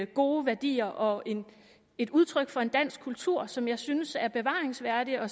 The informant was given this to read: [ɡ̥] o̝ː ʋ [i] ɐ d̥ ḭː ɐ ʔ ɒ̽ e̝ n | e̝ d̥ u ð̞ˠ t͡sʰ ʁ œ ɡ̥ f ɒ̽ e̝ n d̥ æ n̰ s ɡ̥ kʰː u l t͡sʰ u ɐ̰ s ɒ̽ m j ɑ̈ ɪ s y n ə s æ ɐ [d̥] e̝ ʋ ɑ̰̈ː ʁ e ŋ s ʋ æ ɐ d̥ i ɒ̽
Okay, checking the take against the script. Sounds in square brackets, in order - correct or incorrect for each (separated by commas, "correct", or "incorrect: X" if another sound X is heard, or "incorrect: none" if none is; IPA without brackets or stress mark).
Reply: correct, incorrect: æ, incorrect: b̥